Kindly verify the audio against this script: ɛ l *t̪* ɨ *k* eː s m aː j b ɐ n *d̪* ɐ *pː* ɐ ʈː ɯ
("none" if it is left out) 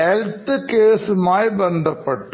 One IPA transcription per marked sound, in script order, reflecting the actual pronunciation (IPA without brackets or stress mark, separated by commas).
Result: t̪, k, d̪, pː